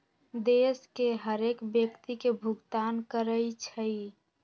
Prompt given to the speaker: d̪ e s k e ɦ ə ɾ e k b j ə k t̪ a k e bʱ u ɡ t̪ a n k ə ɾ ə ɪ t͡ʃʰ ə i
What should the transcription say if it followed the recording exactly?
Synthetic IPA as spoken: d̪ e s k e ɦ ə ɾ e k b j ə k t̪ i k e bʱ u ɡ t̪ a n k ə ɾ ə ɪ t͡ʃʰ ə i